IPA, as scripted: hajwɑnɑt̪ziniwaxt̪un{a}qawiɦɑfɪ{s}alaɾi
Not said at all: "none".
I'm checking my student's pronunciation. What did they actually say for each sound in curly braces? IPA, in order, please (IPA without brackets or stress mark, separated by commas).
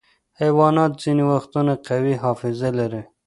a, z